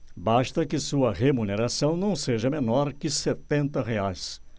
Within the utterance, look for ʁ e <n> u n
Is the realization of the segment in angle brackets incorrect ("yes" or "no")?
yes